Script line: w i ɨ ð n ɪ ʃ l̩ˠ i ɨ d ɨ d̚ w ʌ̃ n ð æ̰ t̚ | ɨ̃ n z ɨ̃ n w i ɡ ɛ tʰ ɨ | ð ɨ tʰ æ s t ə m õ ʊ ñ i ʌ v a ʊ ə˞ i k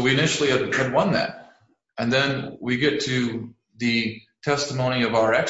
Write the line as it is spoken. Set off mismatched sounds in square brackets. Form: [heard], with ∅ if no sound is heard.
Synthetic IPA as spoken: w i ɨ [∅] n ɪ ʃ l̩ˠ i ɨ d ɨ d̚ w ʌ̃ n ð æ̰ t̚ | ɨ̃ n [ð] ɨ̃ n w i ɡ ɛ tʰ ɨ | ð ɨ tʰ [ɛ] s t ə m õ [ʊ̃] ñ i ʌ v a ʊ ə˞ [ɛ] k